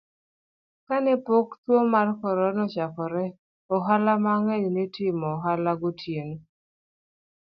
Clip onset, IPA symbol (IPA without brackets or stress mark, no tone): k